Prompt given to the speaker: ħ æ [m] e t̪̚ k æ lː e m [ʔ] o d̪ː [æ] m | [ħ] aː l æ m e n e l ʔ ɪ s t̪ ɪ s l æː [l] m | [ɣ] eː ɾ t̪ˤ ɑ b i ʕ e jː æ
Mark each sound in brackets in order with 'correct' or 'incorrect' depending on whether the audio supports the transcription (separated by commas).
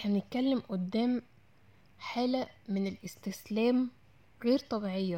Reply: incorrect, correct, incorrect, correct, incorrect, correct